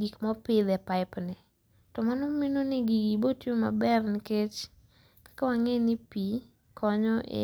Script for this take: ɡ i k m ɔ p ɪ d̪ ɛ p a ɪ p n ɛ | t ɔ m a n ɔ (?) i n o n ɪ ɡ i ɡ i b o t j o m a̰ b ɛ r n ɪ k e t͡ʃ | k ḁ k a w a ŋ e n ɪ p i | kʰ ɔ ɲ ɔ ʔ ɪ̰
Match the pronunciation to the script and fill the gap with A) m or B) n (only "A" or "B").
A